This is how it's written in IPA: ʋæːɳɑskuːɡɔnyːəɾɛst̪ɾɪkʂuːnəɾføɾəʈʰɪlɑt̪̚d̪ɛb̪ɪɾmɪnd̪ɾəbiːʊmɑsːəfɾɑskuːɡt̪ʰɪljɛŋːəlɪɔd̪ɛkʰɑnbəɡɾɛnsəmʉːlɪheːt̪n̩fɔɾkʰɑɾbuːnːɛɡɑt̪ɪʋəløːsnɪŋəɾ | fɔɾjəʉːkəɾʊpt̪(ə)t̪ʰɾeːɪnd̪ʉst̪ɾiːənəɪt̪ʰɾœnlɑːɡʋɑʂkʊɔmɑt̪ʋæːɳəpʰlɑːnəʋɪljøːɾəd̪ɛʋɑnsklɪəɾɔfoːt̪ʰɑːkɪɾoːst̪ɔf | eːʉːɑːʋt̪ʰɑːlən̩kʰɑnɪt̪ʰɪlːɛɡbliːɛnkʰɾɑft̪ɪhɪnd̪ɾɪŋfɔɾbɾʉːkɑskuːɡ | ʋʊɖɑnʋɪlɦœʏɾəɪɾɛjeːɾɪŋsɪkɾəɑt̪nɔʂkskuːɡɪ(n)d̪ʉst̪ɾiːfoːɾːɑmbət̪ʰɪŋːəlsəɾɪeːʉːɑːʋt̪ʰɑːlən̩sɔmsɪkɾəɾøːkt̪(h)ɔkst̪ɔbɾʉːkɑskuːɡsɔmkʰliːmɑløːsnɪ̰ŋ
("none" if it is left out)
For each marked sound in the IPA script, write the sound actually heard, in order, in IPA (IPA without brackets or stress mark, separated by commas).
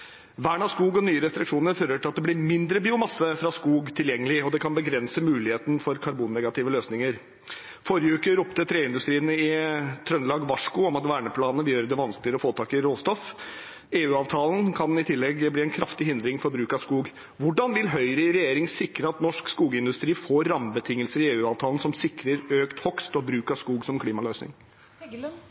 ə, n, h